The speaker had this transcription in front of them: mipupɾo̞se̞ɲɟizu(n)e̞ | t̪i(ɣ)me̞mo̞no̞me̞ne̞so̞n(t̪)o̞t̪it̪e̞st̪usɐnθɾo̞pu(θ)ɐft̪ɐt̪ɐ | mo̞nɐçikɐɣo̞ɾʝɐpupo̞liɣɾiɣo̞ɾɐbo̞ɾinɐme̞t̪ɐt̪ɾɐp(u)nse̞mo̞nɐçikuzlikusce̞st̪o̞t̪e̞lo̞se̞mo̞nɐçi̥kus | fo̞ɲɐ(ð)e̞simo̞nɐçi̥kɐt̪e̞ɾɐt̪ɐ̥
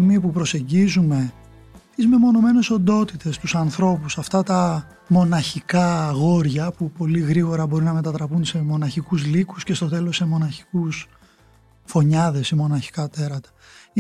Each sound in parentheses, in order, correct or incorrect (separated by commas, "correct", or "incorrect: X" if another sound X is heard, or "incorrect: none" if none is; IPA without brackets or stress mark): incorrect: m, incorrect: z, incorrect: d̪, incorrect: s, correct, correct